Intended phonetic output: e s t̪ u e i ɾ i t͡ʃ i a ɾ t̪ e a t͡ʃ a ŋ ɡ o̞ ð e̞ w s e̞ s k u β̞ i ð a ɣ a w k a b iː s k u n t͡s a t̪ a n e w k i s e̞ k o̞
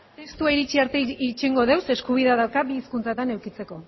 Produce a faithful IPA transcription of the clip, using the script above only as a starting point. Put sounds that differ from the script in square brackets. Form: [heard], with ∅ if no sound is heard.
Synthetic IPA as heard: e s t̪ u [a] i ɾ i t͡ʃ i a ɾ t̪ e [i] t͡ʃ [e] ŋ ɡ o̞ ð e̞ w s e̞ s k u β̞ i ð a [ð] a w k a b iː s k u n t͡s a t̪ a n e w k i [t͡s] e̞ k o̞